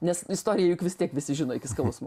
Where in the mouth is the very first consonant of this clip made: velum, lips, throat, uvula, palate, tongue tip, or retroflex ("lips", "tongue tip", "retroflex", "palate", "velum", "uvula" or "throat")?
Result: tongue tip